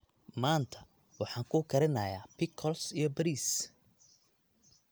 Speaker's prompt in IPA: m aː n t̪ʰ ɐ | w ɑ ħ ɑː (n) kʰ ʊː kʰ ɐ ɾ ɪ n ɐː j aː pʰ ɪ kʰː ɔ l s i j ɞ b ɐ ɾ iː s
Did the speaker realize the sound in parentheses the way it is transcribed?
no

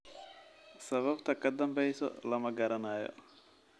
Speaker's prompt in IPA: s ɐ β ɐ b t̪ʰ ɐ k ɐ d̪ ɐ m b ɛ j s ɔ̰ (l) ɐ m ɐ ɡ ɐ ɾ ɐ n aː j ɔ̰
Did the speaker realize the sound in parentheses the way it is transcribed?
yes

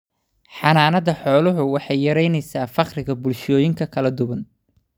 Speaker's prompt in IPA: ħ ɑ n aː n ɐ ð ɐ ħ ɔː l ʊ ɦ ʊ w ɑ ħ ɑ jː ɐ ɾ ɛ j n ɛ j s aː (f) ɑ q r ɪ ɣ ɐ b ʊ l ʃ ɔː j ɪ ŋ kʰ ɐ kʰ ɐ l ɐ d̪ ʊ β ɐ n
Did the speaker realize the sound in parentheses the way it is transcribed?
yes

